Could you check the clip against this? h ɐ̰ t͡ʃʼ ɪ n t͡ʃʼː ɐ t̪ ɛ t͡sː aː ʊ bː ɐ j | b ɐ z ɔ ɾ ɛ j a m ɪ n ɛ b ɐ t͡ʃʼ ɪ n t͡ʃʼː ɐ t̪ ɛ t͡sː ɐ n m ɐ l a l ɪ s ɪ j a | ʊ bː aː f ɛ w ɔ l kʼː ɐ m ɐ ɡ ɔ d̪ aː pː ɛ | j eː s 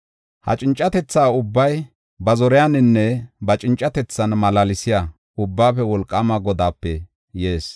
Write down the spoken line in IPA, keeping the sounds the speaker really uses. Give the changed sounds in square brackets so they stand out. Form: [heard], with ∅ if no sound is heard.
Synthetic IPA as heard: h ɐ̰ t͡ʃʼ ɪ n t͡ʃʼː ɐ t̪ ɛ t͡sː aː ʊ bː ɐ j | b ɐ z ɔ ɾ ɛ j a [n] ɪ [nː] ɛ b ɐ t͡ʃʼ ɪ n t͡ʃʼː ɐ t̪ ɛ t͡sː ɐ n m ɐ l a l ɪ s ɪ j a | ʊ bː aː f ɛ w ɔ l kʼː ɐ m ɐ ɡ ɔ d̪ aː pː ɛ | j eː s